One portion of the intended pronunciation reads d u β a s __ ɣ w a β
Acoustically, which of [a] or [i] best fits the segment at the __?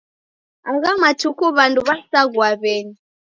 a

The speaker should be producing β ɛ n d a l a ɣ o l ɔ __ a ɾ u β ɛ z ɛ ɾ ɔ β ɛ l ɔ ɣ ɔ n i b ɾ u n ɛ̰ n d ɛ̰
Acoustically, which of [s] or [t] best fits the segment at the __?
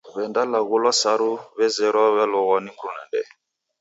s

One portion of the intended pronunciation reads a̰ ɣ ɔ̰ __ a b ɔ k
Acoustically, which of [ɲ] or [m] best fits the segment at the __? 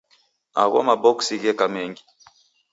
m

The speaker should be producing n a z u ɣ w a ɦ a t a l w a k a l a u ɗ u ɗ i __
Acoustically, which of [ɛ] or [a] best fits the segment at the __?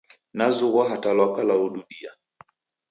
a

